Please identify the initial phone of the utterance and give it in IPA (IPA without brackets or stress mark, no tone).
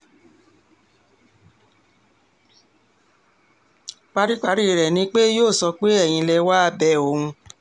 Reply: k͡p